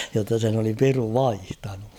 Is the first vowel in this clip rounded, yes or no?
yes